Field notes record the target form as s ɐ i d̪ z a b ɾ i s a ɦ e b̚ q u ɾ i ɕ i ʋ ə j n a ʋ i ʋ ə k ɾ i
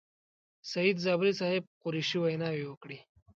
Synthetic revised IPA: s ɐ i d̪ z a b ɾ i s a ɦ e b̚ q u ɾ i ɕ i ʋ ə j n a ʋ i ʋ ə k ɽ i